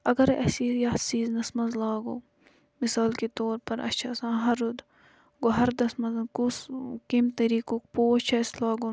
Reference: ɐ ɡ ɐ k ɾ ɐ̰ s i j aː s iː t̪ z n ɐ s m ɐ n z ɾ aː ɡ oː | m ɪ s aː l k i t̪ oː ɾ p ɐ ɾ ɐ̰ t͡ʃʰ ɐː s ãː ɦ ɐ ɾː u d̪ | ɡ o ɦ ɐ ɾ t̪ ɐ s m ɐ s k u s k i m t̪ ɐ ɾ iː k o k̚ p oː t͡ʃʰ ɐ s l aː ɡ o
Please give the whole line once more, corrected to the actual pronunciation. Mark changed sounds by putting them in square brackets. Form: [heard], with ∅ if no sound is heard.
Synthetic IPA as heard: ɐ ɡ ɐ [∅] ɾ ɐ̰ s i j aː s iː [∅] z n ɐ s m ɐ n z [l] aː ɡ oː | m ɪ s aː l k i t̪ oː ɾ p ɐ ɾ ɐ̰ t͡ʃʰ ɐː s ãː ɦ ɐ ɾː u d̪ | ɡ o ɦ ɐ ɾ [d̪] ɐ s m ɐ [z] k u s k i m t̪ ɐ ɾ iː k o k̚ p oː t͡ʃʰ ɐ s l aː ɡ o